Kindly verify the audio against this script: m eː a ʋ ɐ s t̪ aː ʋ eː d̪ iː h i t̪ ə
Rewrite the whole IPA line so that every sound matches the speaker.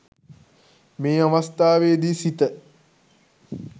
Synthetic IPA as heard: m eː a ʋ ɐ s t̪ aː ʋ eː d̪ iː s i t̪ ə